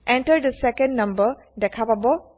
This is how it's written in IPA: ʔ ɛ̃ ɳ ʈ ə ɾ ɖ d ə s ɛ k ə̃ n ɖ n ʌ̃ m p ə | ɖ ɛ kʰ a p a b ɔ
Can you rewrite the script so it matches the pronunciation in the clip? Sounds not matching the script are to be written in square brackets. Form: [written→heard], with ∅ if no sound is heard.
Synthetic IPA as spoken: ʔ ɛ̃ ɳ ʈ ə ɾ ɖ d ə s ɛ k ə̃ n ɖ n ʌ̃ m [p→b] ə | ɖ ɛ kʰ a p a b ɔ